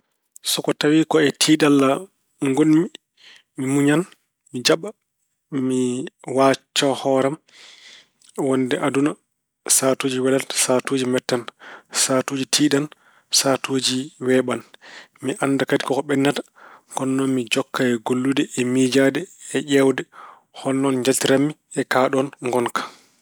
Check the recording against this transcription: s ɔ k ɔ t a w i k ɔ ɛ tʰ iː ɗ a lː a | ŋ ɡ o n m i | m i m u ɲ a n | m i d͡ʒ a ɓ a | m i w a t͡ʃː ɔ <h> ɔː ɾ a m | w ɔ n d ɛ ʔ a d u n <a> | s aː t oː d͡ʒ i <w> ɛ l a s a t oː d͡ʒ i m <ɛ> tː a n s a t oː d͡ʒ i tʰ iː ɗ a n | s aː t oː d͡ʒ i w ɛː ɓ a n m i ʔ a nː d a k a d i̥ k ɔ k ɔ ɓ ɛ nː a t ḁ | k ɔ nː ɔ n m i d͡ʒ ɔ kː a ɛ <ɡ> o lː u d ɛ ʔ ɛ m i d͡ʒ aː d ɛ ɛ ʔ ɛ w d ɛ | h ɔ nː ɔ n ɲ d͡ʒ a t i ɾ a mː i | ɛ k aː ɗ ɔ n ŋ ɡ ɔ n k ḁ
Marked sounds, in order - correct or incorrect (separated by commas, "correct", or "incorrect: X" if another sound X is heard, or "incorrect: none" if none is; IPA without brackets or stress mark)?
correct, correct, correct, correct, correct